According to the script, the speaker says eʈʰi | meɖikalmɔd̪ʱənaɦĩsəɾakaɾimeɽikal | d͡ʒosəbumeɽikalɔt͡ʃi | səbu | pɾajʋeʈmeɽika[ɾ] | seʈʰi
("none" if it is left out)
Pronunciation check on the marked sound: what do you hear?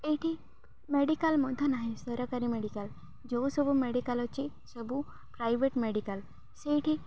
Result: l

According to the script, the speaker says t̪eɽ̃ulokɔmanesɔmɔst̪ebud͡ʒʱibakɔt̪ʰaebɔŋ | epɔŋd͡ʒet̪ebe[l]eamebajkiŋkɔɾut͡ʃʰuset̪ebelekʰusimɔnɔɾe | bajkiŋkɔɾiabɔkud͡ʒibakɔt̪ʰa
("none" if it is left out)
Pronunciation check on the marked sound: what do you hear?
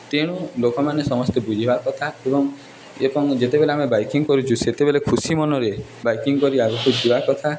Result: l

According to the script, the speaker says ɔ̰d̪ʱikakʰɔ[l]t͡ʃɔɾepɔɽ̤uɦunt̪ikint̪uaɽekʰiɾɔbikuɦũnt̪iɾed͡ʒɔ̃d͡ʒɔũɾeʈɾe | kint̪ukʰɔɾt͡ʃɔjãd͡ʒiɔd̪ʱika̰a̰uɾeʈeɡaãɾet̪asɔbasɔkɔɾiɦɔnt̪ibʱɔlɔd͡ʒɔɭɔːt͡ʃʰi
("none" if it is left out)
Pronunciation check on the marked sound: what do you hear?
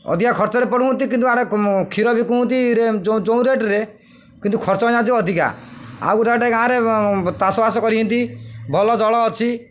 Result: ɾ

